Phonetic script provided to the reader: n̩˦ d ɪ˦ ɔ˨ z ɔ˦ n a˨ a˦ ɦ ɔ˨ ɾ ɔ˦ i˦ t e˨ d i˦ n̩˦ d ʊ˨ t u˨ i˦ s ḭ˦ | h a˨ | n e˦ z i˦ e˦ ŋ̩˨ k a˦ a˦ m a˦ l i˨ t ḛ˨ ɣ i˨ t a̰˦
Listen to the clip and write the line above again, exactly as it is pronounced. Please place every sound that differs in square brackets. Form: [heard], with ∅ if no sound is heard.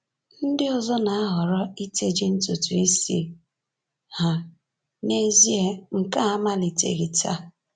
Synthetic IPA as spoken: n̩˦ d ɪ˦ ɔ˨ z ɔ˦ n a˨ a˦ ɦ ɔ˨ ɾ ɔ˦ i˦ t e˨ [d͡ʒ] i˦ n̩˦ [t] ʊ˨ t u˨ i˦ s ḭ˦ | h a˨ | n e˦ z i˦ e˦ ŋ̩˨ k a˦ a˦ m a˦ l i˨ t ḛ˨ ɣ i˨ t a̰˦